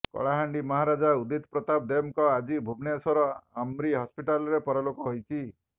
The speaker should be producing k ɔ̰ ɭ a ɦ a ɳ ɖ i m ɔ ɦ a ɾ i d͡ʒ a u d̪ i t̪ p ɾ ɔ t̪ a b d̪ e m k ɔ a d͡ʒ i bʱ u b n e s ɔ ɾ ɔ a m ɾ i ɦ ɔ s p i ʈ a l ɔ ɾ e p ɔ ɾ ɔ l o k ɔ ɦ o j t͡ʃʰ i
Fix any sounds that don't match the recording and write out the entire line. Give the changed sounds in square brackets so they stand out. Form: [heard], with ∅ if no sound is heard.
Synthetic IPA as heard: k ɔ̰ ɭ a ɦ a ɳ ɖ i m ɔ ɦ a ɾ [a] d͡ʒ a u d̪ i t̪ p ɾ ɔ t̪ a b d̪ e m k ɔ a d͡ʒ i bʱ u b n e s ɔ ɾ ɔ a m ɾ i ɦ ɔ s p i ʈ a l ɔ ɾ e p ɔ ɾ ɔ l o k ɔ ɦ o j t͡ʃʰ i

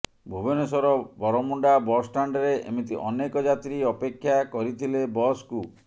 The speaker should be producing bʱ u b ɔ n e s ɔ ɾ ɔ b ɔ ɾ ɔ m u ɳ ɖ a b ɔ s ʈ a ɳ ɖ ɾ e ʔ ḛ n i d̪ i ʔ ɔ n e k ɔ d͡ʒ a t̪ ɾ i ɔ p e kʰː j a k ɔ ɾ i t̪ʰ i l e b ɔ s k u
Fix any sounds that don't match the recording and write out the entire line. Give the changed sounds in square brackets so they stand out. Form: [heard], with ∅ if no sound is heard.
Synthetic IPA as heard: bʱ u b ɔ n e s ɔ ɾ ɔ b ɔ ɾ ɔ m u ɳ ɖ a b ɔ s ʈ a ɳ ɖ ɾ e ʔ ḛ [m] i [t̪] i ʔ ɔ n e k ɔ d͡ʒ a t̪ ɾ i ɔ p e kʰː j a k ɔ ɾ i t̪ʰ i l e b ɔ s k u

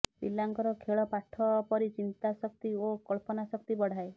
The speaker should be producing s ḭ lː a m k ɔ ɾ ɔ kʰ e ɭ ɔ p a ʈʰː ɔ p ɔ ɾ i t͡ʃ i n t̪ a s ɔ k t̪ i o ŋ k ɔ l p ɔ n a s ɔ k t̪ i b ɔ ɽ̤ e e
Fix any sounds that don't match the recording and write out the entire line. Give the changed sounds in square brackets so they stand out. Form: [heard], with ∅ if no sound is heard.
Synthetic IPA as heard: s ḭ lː a [ŋ] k ɔ ɾ ɔ kʰ e ɭ ɔ p a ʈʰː ɔ p ɔ ɾ i t͡ʃ i n t̪ a s ɔ k t̪ i o [∅] k ɔ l p ɔ n a s ɔ k t̪ i b ɔ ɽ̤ [a] e

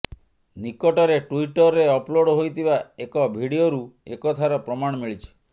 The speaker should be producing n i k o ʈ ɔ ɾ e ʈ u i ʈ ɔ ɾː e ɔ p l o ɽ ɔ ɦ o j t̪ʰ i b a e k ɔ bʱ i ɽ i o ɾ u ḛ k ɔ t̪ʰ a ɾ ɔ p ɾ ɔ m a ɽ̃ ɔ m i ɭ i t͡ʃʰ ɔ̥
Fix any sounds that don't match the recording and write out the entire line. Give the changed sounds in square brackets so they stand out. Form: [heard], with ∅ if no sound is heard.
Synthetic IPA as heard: n i k [ɔ] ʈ ɔ ɾ e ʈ u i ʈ ɔ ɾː e ɔ p l o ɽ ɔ ɦ o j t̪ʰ i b a e k ɔ bʱ i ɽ i o ɾ u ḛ k ɔ t̪ʰ a ɾ ɔ p ɾ ɔ m a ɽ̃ ɔ m i ɭ i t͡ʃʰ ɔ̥

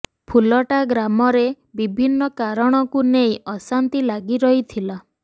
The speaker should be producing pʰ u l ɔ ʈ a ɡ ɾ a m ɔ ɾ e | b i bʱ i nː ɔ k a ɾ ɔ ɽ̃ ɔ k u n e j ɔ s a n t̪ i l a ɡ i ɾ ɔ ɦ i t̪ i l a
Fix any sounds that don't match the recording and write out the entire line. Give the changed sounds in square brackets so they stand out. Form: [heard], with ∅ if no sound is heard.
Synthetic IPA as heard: pʰ u l ɔ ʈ a ɡ ɾ a m ɔ ɾ e | b i bʱ i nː ɔ k a ɾ ɔ ɽ̃ ɔ k u n e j ɔ s a n t̪ i l a ɡ i ɾ ɔ ɦ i [t̪ʰ] i l a

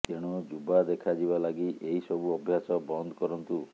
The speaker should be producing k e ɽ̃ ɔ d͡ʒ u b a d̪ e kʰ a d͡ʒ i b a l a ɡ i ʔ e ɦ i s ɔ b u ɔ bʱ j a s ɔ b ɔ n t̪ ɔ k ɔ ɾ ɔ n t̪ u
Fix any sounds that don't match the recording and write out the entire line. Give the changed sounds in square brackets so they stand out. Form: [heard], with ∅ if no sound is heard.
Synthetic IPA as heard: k e ɽ̃ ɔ d͡ʒ u b a d̪ e kʰ a d͡ʒ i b a l a ɡ i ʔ e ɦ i s ɔ b u ɔ bʱ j a s ɔ b ɔ n [d̪] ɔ k ɔ ɾ ɔ n t̪ u

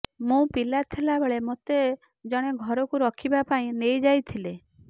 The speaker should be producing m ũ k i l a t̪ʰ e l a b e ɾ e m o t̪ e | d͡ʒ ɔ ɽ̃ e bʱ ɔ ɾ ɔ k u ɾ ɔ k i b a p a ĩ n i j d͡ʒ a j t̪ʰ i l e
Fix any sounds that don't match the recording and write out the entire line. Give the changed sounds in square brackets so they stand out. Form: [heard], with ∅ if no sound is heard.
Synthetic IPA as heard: m ũ [p] i l a t̪ʰ e l a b e [ɭ] e m o t̪ e | d͡ʒ ɔ ɽ̃ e [ɡʱ] ɔ ɾ ɔ k u ɾ ɔ [kʰ] i b a p a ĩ n [e] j d͡ʒ a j t̪ʰ i l e

